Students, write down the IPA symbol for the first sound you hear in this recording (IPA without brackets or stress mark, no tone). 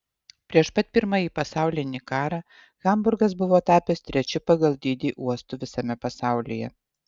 pʲ